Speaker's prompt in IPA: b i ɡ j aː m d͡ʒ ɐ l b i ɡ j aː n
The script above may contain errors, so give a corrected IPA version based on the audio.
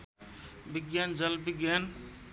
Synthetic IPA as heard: b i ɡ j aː n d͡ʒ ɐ l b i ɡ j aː n